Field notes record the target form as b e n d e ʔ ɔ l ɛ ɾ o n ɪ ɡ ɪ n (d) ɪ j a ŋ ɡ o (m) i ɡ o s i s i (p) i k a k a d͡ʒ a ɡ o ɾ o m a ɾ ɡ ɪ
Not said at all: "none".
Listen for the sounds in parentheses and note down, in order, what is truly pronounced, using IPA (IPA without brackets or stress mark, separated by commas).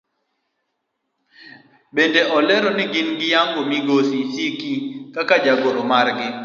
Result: ɡ, m, k